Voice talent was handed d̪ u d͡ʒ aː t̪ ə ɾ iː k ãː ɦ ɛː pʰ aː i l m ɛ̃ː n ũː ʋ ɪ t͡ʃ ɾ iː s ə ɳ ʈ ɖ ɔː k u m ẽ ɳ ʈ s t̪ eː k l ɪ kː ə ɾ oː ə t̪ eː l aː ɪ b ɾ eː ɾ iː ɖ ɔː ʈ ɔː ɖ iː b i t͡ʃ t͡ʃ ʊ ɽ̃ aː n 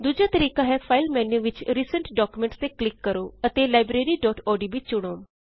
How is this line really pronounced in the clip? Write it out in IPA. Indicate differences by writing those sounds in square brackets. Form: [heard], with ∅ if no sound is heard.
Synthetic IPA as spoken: d̪ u d͡ʒ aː t̪ ə ɾ iː k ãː ɦ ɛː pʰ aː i l m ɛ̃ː n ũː ʋ ɪ t͡ʃ ɾ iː s ə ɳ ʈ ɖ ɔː k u m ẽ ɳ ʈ s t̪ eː k l ɪ kː ə ɾ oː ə t̪ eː l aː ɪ b ɾ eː ɾ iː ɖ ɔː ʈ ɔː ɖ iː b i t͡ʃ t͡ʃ ʊ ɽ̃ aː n